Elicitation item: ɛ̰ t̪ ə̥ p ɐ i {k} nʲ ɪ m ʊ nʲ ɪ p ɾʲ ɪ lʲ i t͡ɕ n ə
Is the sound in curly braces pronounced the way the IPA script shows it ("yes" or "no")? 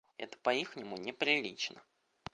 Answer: no